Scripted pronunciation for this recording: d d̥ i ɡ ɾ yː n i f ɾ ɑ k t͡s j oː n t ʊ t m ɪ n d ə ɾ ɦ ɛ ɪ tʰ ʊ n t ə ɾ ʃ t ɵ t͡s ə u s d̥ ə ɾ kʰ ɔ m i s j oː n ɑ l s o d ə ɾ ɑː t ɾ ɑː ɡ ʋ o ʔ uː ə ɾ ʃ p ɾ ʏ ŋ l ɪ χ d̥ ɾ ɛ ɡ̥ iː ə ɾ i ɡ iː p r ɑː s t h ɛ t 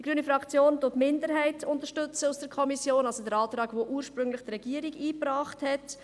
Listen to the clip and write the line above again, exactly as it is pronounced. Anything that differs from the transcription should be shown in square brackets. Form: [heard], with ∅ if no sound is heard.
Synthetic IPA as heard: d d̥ i ɡ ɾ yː n i f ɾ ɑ k t͡s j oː n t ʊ t m ɪ n d ə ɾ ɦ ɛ ɪ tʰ ʊ n t ə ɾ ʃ t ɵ t͡s ə u s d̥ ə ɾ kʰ ɔ m i s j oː n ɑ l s o d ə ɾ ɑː t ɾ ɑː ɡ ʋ o ʔ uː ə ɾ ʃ p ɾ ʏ ŋ l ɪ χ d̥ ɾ ɛ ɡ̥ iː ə ɾ i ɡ iː p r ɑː [χ] t h ɛ t

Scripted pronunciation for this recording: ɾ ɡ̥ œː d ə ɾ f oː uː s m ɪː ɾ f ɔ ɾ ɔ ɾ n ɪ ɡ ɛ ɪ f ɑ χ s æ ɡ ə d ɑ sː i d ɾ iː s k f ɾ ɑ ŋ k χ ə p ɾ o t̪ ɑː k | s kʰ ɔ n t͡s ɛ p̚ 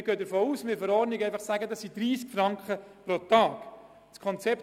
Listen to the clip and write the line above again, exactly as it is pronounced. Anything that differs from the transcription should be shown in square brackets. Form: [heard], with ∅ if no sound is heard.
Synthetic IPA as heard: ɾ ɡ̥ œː d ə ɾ f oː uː s m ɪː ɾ f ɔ ɾ ɔ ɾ n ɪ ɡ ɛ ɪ f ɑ χ s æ ɡ ə d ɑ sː i d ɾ iː s k f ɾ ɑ ŋ k χ ə p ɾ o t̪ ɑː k | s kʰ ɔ n t͡s ɛ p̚

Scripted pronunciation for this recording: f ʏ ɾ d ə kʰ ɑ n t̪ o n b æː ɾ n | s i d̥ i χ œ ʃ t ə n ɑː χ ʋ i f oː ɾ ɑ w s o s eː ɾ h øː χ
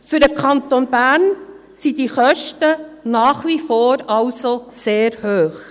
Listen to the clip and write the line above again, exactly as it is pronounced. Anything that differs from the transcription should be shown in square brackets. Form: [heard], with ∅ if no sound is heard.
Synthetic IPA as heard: f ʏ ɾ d ə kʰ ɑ n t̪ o n b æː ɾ n | s i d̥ i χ œ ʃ t ə n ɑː χ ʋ i f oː ɾ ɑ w s o s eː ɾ h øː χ

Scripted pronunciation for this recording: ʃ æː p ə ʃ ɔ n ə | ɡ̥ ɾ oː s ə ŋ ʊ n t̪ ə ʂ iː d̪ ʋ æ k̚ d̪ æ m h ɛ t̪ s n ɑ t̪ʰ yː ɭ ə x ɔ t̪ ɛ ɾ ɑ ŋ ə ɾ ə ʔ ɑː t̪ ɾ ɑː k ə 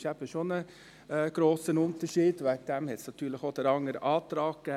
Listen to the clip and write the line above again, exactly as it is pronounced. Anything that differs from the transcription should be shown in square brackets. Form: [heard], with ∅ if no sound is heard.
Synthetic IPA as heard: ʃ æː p ə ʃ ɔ n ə | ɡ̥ ɾ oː s ə [n] ʊ n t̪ ə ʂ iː d̪ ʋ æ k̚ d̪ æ m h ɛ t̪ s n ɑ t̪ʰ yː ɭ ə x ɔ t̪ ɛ ɾ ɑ ŋ ə ɾ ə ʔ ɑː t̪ ɾ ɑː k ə

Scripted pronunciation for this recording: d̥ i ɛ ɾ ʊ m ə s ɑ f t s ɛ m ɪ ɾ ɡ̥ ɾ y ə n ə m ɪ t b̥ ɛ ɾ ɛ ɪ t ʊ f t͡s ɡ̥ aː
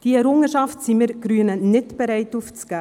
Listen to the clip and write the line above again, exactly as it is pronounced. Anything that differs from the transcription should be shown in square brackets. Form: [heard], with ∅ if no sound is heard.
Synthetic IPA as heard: d̥ i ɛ ɾ ʊ [ŋ] ə [ʃ] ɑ f t s [i] m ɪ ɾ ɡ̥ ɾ y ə n ə [n] ɪ t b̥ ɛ ɾ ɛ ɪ t [u] f t͡s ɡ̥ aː

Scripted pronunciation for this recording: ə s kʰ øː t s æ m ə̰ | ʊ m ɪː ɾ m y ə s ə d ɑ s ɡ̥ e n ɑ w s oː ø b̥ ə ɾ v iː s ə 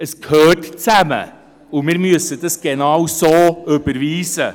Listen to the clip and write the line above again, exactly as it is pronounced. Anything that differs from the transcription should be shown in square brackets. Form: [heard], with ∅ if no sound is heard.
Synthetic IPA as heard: ə s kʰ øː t [t͡s] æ m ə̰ | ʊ m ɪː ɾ m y ə s ə d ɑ s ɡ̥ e n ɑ w s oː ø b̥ ə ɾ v iː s ə

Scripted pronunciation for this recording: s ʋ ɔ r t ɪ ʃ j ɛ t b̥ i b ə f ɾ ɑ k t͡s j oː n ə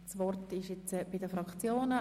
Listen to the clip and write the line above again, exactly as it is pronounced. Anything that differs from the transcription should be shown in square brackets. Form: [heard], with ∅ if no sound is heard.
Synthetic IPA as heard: s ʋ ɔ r t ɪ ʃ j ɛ [t͡s] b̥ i [d] ə f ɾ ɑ k t͡s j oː n ə

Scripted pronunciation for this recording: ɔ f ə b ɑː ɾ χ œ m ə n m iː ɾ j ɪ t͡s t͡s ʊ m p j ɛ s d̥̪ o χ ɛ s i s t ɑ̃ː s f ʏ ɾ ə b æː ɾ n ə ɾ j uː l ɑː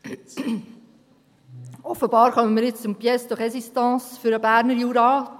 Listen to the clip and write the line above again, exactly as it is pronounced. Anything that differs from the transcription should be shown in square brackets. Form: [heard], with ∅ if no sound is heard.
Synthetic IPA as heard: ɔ f ə b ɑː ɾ χ œ m ə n m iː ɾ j ɪ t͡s t͡s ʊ m p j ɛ s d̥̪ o χ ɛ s i s t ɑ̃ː s f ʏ ɾ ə b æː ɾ n ə ɾ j uː [ɾ] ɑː

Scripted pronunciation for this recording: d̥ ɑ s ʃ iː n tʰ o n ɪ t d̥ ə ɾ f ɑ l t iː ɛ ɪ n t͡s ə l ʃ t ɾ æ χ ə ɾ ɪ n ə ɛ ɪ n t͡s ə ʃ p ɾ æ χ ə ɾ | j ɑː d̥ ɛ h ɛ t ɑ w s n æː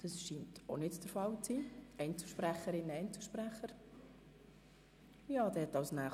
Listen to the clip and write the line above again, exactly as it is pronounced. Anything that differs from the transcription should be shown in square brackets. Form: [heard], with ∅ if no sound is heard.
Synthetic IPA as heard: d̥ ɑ s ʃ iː n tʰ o n ɪ t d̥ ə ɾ f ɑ l [t͡s] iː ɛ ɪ n t͡s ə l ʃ [p] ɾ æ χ ə ɾ ɪ n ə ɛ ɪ n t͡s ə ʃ p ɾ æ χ ə ɾ | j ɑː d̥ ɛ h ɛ t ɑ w s n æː

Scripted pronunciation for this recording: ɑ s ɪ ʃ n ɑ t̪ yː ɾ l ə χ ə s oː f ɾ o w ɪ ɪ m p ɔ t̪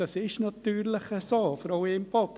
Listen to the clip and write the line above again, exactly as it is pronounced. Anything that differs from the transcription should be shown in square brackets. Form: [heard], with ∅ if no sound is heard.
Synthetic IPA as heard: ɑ s ɪ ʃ n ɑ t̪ yː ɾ l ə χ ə s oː f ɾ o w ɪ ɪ m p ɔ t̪

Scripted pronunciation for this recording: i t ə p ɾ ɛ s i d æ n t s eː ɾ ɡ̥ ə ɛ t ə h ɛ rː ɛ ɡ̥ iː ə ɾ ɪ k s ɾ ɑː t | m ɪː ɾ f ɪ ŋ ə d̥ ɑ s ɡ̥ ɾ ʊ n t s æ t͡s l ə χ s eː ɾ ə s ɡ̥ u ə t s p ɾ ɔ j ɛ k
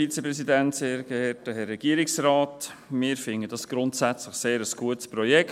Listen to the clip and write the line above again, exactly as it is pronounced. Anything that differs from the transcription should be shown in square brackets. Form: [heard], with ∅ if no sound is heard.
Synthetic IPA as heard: i [t͡s] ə p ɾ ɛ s i d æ n t s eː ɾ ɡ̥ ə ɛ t ə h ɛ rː ɛ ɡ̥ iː ə ɾ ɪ k s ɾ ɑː t | m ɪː ɾ f ɪ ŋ ə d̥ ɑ s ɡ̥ ɾ ʊ n t s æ t͡s l ə χ s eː ɾ ə s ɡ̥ u ə t s p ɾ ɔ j ɛ k

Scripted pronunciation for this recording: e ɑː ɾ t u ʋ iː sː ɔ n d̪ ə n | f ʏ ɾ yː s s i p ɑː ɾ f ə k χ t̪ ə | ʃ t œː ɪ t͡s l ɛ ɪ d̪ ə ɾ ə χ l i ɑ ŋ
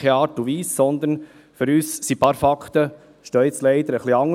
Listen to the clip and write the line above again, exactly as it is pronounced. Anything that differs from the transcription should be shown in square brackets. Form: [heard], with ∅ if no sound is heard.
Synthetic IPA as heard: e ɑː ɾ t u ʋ iː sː ɔ n d̪ ə n | f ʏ ɾ yː s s i p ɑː ɾ f [ɑ] k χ t̪ ə | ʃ t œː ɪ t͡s l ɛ ɪ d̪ ə ɾ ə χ l i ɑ ŋ

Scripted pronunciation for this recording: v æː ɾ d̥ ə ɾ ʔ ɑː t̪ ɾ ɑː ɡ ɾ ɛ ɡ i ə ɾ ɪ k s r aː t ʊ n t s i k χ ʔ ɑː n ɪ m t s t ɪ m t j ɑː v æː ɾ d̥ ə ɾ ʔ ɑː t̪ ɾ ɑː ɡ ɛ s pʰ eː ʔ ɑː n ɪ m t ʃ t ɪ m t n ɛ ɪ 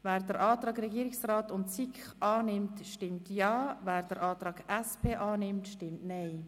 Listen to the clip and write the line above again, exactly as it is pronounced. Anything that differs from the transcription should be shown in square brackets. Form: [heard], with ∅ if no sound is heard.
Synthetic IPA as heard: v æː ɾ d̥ ə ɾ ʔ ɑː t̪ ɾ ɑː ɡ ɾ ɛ ɡ i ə ɾ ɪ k s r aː t ʊ n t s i k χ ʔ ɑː n ɪ m t [ʃ] t ɪ m t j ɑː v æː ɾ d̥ ə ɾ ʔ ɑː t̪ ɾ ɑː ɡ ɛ s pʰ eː ʔ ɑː n ɪ m t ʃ t ɪ m t n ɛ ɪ

